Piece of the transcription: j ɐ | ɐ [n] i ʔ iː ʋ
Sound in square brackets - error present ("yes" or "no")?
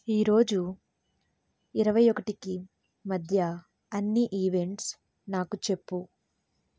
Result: yes